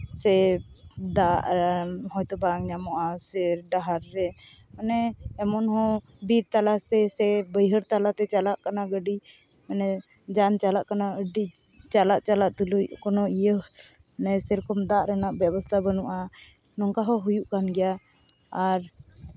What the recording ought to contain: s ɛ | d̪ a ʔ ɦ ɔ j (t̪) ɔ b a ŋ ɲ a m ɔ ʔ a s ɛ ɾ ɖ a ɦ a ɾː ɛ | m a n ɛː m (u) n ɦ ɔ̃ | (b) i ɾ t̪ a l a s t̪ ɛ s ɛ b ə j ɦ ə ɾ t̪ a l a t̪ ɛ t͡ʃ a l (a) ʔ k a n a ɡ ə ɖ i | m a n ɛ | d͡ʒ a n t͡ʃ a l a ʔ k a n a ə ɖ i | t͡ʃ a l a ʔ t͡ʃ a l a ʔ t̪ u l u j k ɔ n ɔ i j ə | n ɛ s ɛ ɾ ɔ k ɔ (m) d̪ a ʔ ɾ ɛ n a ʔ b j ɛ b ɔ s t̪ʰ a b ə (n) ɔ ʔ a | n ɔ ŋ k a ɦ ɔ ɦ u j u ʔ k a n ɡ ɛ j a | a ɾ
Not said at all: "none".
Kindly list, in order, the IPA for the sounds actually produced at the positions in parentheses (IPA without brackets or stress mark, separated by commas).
t̪, ɔ, b, a, m, n